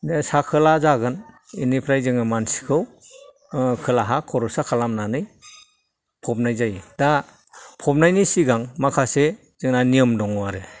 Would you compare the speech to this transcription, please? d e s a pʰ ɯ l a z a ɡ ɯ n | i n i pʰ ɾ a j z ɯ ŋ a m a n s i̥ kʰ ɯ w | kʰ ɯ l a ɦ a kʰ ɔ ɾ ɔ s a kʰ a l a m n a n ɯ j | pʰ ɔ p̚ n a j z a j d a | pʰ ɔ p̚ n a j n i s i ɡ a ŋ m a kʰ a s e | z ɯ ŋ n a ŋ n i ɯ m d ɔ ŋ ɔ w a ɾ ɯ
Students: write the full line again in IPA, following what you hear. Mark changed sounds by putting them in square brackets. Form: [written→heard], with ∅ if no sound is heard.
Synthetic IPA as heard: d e s a [pʰ→kʰ] ɯ l a z a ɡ ɯ n | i n i pʰ ɾ a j z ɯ ŋ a m a n s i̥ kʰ ɯ w | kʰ ɯ l a ɦ a kʰ ɔ ɾ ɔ s a kʰ a l a m n a n ɯ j | pʰ ɔ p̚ n a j z a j d a | pʰ ɔ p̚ n a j n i s i ɡ a ŋ m a kʰ a s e | z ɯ ŋ n a [ŋ→∅] n i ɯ m d ɔ ŋ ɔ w a ɾ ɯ